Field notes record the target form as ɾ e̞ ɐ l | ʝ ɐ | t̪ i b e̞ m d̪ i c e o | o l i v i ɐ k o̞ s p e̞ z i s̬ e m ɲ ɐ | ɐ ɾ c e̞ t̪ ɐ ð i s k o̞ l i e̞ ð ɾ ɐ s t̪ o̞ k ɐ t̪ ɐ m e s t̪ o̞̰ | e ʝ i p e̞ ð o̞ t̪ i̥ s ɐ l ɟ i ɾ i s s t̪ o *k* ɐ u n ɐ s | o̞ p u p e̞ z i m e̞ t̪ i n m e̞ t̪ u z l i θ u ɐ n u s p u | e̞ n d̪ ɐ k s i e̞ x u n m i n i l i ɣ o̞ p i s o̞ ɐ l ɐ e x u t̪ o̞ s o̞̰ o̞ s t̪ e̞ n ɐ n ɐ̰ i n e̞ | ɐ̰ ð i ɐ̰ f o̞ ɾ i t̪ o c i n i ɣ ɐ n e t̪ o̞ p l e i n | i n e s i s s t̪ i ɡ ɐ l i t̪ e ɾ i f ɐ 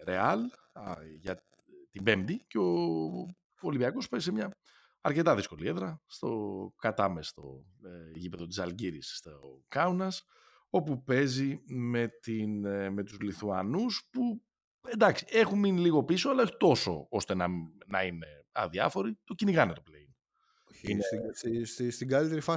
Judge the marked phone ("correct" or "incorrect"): correct